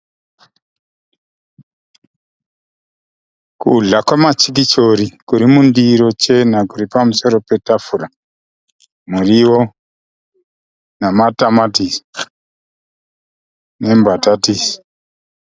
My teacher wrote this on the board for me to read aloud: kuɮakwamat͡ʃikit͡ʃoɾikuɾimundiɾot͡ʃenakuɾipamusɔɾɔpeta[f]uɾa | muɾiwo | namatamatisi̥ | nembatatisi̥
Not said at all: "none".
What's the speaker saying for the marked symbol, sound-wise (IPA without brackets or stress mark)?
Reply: f